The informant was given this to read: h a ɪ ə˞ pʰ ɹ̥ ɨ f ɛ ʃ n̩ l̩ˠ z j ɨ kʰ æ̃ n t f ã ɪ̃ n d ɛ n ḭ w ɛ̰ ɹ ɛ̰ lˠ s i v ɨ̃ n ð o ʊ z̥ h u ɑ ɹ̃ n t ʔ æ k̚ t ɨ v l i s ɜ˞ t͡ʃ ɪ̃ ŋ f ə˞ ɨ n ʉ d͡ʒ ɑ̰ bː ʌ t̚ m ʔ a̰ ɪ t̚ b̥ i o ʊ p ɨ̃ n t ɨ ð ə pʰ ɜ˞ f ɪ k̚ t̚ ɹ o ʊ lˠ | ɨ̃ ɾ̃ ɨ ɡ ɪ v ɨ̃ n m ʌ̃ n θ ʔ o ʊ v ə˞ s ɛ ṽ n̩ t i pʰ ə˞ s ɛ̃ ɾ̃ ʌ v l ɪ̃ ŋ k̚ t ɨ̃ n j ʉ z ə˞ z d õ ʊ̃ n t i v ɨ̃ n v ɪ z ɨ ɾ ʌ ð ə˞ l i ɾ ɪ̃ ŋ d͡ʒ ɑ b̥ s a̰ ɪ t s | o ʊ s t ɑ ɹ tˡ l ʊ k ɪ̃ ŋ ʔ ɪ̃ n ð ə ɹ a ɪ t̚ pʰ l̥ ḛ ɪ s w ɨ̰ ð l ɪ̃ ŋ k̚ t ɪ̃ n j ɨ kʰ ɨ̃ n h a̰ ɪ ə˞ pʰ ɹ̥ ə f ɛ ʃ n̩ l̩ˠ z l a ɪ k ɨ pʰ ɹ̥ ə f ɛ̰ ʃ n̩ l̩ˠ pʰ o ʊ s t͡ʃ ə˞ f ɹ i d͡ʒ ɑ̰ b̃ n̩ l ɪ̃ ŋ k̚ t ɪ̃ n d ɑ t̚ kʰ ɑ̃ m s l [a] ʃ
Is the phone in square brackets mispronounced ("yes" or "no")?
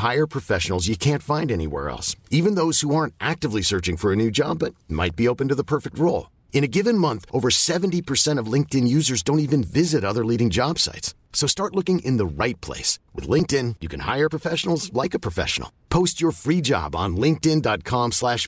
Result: yes